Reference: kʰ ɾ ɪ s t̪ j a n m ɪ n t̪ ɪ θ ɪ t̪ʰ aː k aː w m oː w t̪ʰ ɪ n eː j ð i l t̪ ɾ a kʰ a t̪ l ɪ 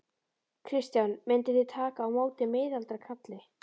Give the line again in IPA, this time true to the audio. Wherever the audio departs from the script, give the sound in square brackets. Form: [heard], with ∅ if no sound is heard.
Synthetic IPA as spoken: kʰ ɾ ɪ s t̪ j a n m ɪ n t̪ ɪ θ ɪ t̪ʰ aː k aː w m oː w [t̪] ɪ [m] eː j ð [a] l t̪ ɾ a kʰ a t̪ l ɪ